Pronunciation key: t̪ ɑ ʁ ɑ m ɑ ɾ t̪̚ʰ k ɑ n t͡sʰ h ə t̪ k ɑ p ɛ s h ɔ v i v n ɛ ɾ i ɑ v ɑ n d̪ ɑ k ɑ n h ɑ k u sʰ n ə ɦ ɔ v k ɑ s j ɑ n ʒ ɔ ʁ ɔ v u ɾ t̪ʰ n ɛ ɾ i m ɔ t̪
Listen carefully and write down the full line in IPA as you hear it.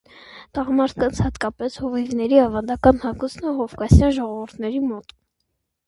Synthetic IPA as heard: t̪ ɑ ʁ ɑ m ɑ ɾ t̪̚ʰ k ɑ n t͡sʰ h ɑ t̪ k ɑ p ɛ s h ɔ v i v n ɛ ɾ i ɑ v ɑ n d̪ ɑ k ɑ n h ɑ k u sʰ n ə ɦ ɔ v k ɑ s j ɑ n ʒ ɔ ʁ ɔ v u ɾ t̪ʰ n ɛ ɾ i m ɔ t̪